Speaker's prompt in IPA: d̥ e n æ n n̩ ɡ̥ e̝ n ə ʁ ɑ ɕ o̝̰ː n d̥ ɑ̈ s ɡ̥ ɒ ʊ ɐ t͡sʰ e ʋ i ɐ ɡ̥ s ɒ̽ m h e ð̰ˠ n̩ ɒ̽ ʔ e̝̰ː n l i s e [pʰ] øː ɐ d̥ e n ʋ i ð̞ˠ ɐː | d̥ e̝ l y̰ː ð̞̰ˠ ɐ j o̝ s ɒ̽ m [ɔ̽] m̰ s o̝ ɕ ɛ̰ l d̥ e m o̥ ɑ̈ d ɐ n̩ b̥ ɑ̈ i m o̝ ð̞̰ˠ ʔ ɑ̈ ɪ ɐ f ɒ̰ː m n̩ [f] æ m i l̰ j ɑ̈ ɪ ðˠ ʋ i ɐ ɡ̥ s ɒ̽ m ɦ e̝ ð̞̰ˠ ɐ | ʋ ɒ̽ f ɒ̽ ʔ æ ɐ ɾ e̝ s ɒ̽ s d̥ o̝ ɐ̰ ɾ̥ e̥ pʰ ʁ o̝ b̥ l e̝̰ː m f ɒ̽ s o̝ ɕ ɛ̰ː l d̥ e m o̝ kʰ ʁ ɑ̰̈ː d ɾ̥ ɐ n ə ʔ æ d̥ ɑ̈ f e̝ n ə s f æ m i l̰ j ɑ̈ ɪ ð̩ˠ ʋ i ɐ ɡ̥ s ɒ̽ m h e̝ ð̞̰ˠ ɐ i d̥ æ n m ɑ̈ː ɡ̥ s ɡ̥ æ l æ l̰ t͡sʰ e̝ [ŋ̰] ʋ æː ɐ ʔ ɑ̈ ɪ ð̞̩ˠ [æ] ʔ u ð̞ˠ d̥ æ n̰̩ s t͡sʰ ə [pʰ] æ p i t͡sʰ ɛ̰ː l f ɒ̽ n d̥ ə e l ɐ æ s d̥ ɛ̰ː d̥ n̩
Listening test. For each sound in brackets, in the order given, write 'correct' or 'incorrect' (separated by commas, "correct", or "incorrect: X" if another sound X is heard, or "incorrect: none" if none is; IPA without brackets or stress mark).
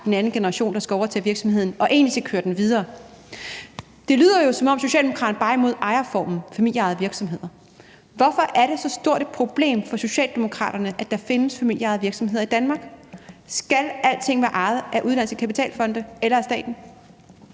incorrect: kʰ, incorrect: ɒ̽, correct, correct, correct, incorrect: kʰ